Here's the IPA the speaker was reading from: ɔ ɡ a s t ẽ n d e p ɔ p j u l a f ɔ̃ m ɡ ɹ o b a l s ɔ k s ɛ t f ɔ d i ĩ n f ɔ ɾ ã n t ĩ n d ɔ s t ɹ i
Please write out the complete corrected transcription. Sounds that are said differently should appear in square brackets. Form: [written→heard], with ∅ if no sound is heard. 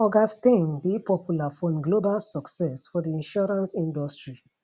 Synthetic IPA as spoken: ɔ ɡ a s t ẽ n d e p ɔ p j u l a f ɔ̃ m ɡ [ɹ→l] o b a l s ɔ k s ɛ [t→s] f ɔ d i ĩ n [f→ʃ] ɔ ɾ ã n [t→s] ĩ n d ɔ s t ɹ i